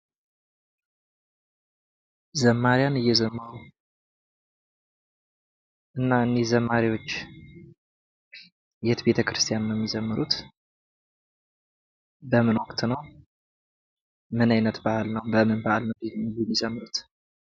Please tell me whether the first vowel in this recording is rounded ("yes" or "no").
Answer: no